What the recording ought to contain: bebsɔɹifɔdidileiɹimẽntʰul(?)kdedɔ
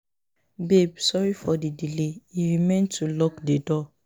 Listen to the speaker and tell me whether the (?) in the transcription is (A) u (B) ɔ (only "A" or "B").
B